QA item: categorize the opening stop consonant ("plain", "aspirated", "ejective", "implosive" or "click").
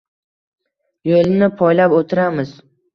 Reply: aspirated